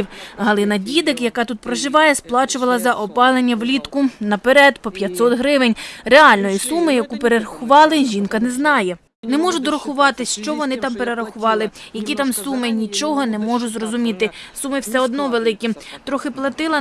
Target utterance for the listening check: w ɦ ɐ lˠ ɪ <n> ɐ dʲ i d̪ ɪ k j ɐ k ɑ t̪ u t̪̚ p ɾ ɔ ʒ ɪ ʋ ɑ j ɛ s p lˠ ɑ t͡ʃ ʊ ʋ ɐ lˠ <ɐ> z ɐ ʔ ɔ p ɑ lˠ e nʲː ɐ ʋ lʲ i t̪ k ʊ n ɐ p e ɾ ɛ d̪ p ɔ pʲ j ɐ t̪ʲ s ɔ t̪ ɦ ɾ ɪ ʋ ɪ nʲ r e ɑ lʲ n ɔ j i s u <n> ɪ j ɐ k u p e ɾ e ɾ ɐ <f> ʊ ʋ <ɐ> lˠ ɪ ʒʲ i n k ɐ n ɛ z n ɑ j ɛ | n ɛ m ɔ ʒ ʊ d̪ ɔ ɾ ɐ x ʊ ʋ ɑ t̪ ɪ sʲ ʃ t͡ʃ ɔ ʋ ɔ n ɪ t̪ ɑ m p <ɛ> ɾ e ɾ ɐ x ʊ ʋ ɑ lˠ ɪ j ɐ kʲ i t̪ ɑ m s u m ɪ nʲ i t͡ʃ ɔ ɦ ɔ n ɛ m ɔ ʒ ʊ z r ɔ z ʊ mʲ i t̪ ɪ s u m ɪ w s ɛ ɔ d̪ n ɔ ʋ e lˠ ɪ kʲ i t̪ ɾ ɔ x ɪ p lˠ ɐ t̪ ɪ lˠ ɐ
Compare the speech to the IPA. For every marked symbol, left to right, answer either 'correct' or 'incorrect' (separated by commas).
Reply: correct, correct, incorrect, incorrect, incorrect, incorrect